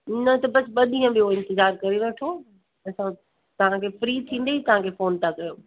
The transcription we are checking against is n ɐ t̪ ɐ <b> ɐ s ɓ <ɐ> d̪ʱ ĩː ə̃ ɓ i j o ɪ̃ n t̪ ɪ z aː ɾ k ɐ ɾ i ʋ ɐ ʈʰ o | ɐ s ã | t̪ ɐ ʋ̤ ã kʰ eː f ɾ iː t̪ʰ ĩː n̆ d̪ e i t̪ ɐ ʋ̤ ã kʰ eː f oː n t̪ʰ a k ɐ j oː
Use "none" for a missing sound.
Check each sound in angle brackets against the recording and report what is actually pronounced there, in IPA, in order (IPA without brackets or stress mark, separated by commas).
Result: b, ɐ